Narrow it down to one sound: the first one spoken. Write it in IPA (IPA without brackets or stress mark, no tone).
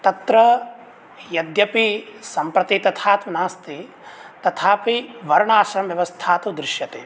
t̪